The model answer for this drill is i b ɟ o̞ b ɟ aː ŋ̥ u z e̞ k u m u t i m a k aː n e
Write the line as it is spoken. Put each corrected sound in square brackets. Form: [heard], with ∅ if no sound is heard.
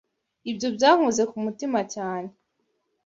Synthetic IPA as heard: i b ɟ o̞ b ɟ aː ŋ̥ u z e̞ k u m u t i m a [c] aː n e